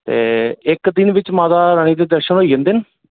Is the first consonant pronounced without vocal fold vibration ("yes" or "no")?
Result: yes